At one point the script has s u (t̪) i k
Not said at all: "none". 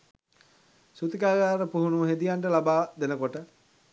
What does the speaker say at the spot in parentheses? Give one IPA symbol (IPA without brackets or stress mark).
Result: t̪